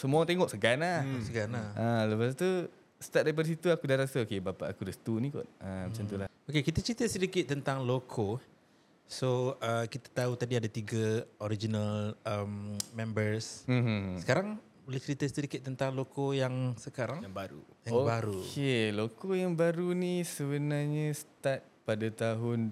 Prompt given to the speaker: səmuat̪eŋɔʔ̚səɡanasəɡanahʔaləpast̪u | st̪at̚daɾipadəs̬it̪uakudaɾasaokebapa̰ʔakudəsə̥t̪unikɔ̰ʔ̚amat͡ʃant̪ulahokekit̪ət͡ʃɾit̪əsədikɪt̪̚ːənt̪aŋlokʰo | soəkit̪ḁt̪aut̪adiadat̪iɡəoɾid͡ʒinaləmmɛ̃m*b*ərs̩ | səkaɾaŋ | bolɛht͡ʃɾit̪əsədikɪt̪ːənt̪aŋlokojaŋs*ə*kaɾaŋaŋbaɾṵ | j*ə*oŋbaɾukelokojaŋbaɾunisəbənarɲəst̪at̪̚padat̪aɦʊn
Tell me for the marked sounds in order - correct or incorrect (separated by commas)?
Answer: correct, correct, incorrect